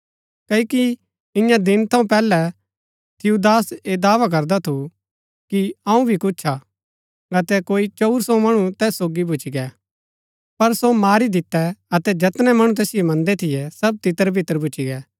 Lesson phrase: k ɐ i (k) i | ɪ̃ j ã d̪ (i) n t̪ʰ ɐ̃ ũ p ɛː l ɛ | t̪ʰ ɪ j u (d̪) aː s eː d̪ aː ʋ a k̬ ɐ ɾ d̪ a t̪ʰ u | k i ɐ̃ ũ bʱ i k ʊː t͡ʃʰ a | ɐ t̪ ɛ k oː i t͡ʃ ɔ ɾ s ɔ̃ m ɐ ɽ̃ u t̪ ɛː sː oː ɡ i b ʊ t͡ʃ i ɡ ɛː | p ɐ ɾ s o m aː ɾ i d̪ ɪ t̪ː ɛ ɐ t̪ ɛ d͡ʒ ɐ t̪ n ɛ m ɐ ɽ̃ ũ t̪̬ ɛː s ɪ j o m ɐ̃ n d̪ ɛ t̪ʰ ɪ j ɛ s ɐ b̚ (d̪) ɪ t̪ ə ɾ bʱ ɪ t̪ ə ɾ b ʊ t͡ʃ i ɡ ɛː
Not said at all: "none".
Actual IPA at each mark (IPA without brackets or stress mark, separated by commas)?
k, ɪ, d̪, t̪